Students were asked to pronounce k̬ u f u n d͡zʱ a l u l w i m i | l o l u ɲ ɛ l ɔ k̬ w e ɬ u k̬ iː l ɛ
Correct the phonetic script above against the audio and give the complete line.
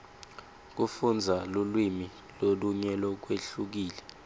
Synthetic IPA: k̬ u f u n d͡zʱ a l u l w i m i | l o l u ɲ ɛ l ɔ k̬ w e ɬ u k̬ iː l ɛ